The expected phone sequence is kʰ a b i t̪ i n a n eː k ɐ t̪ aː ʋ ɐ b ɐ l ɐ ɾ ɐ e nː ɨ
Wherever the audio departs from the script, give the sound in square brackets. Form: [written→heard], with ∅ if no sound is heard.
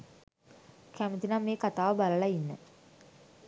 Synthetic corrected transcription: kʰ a [b→m] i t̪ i n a [n→m] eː k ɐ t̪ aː ʋ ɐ b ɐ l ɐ [ɾ→ɭ] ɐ [e→i] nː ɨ